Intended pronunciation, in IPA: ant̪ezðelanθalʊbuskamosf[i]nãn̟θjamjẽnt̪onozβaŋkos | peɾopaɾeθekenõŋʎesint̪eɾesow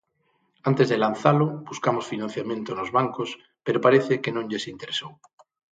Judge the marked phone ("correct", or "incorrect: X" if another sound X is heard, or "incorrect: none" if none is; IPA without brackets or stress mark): correct